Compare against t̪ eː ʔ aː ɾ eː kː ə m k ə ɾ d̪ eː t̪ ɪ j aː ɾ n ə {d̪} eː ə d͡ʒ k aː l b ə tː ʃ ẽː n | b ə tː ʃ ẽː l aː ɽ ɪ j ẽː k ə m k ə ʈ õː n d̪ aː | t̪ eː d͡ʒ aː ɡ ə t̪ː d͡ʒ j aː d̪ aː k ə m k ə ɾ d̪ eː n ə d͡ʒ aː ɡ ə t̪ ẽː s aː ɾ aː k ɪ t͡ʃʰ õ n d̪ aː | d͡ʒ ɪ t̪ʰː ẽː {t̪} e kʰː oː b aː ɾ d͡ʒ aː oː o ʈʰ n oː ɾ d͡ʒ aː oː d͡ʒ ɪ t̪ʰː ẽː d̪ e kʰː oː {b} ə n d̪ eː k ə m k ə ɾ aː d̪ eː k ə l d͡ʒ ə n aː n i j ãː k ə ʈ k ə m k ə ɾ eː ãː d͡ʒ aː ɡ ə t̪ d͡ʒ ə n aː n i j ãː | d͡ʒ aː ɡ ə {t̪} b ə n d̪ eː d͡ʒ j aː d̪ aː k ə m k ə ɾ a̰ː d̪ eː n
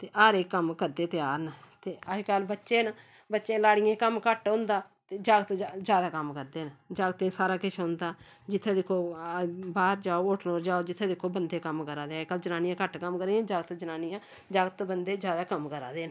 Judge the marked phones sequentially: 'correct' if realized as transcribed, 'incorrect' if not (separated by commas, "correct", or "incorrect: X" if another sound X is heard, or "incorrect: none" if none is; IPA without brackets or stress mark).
incorrect: t̪, incorrect: d̪, correct, correct